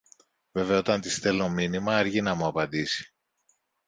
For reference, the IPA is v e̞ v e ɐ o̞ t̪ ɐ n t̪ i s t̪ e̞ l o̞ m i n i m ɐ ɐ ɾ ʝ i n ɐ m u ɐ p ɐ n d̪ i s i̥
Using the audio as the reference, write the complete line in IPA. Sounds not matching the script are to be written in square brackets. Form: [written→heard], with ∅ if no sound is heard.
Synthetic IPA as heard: v e̞ v e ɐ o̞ t̪ ɐ n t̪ i s t̪ e̞ l o̞ m i n i m ɐ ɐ ɾ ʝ i n ɐ m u ɐ p ɐ n d̪ i s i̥